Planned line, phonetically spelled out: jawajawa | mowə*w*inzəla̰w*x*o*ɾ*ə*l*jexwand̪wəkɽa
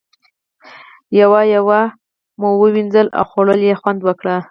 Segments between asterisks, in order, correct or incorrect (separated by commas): correct, correct, incorrect, correct